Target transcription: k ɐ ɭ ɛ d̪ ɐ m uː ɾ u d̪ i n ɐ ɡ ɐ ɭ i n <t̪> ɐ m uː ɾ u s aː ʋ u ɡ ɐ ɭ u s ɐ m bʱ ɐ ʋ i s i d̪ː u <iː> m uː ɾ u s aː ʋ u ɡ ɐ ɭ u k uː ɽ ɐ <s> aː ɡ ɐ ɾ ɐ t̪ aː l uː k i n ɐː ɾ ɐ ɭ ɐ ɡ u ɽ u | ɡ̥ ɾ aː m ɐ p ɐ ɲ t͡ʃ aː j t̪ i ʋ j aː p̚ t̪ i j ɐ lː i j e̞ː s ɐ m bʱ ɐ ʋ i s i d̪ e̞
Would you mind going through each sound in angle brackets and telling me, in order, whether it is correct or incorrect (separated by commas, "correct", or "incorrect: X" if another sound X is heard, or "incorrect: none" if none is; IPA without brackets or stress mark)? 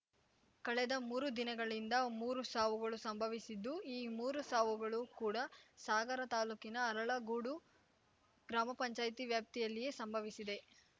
incorrect: d̪, correct, correct